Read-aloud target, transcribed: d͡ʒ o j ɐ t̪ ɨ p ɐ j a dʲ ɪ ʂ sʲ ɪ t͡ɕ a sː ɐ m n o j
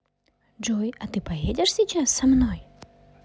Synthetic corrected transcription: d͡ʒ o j ɐ t̪ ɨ p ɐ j e dʲ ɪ ʂ sʲ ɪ t͡ɕ a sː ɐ m n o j